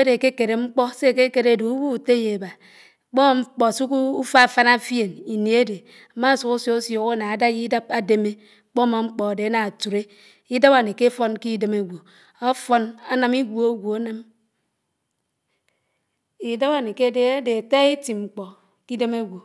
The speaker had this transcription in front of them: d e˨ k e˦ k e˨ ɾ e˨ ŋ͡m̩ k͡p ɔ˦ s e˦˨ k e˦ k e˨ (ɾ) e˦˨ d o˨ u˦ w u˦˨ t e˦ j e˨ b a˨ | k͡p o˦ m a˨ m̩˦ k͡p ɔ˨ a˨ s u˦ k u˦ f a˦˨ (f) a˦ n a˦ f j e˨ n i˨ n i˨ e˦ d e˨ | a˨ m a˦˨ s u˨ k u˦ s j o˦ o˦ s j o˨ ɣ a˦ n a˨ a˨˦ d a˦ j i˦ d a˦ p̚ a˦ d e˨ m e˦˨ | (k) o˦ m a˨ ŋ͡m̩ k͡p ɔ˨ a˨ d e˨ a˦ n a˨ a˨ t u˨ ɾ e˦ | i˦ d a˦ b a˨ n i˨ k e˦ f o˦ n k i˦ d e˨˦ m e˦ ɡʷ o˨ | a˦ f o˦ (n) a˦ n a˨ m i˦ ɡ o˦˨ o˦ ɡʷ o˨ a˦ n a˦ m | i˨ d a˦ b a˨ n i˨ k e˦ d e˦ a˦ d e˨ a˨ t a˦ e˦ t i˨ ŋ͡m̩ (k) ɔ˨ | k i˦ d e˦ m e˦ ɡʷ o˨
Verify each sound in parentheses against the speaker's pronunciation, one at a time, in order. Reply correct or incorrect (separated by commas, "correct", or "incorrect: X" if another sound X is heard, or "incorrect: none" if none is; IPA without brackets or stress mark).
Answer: correct, correct, incorrect: k͡p, correct, incorrect: k͡p